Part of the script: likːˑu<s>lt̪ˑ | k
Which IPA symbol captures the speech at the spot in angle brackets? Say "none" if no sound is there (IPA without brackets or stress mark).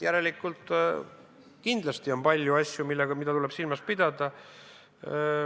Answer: none